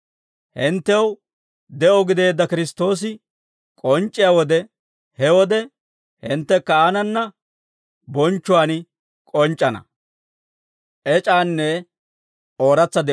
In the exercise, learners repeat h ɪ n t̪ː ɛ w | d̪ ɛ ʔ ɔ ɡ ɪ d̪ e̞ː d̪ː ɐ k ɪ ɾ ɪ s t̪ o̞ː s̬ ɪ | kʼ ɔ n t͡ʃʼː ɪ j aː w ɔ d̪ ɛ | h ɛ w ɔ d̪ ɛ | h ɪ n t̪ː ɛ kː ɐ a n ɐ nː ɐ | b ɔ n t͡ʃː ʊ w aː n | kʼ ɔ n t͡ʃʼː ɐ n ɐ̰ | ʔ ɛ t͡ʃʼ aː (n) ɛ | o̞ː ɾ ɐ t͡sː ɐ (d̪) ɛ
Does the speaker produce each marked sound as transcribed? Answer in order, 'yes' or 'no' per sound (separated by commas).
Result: no, yes